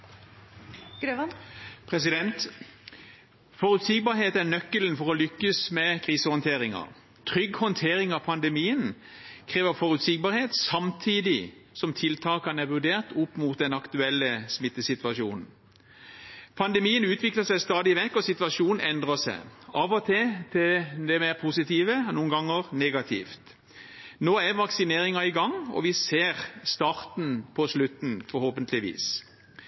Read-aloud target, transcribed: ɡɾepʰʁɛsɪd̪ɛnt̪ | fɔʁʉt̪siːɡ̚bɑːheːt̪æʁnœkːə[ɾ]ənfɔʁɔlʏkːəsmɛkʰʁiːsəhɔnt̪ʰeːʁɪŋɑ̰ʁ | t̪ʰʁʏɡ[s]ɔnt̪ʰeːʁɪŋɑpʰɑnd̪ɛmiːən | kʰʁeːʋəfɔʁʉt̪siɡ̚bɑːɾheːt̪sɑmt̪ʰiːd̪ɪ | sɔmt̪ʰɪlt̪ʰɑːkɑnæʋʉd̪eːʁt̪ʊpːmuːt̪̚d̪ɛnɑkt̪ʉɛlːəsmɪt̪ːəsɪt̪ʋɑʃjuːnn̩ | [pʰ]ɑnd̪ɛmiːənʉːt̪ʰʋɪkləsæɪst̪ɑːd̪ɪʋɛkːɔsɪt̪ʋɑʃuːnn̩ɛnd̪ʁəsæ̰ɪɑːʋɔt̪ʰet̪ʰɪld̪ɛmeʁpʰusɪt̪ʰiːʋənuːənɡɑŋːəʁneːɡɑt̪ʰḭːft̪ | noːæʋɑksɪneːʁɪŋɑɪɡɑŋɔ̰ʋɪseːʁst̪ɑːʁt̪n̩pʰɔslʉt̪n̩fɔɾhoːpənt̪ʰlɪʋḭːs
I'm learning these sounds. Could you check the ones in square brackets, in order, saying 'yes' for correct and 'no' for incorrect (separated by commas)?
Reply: no, no, yes